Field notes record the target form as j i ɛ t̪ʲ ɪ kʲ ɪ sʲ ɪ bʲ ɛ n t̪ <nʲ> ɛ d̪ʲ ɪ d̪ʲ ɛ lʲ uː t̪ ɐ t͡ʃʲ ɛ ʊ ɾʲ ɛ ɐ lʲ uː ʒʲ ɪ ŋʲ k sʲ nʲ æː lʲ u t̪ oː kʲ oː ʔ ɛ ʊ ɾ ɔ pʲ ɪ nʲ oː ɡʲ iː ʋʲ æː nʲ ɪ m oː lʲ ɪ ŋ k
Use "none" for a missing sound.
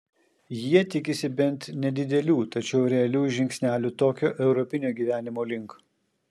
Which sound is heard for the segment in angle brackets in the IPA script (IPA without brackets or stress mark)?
nʲ